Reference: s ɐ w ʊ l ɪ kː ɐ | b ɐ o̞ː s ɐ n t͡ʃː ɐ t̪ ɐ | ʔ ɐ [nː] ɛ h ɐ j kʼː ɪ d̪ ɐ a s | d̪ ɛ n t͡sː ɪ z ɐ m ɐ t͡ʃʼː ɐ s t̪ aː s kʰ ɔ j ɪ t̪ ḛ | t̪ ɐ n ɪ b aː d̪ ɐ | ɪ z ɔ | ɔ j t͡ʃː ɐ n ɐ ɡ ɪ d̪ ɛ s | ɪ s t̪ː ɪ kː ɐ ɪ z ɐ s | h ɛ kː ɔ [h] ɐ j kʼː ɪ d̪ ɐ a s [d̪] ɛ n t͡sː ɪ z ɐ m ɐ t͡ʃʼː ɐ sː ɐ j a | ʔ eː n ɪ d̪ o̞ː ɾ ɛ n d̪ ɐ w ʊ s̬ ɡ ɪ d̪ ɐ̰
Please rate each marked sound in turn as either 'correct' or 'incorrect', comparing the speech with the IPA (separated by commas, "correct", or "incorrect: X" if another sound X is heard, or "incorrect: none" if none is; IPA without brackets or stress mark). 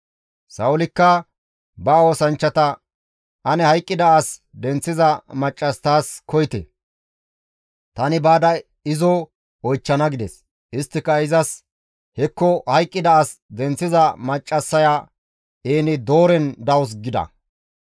incorrect: n, correct, correct